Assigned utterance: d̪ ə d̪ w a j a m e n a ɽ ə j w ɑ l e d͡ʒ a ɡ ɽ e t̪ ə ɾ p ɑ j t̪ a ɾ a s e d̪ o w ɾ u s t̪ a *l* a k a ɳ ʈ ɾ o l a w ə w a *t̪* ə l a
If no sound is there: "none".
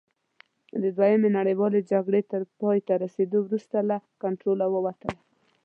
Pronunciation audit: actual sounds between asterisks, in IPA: l, t̪

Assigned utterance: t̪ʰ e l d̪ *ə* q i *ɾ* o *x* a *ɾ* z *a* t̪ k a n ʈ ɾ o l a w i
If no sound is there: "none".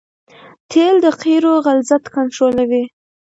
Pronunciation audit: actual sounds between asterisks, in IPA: ə, ɾ, ɣ, l, a

